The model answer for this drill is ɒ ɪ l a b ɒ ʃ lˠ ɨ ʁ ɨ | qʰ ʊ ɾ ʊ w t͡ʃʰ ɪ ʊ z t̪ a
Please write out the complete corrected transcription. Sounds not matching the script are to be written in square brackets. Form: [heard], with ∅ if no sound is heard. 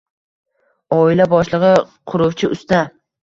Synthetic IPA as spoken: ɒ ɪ l a b ɒ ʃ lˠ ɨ ʁ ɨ | qʰ ʊ ɾ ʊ w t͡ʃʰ ɪ ʊ [s] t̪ a